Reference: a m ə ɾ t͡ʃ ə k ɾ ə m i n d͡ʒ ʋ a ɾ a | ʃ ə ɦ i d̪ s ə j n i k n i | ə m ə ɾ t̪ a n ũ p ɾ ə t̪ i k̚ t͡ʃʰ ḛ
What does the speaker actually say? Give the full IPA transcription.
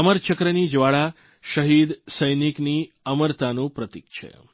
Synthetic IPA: ə m ə ɾ t͡ʃ ə k ɾ ə n i d͡ʒ ʋ a ɭ a | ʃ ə ɦ i d̪ s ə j n i k n i | ə m ə ɾ t̪ a n ũ p ɾ ə t̪ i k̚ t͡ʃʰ ḛ